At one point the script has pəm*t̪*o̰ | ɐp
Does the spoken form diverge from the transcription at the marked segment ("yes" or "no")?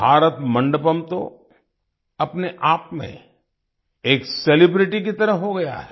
no